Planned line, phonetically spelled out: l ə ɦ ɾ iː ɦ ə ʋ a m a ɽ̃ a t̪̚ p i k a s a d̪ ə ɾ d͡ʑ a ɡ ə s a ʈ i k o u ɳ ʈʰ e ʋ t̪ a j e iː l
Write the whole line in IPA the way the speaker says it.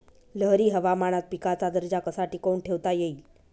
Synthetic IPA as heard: l ə ɦ ɾ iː ɦ ə ʋ a m a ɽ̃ a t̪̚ p i k a t͡s a d̪ ə ɾ d͡ʑ a k ə s a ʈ i k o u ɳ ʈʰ e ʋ t̪ a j e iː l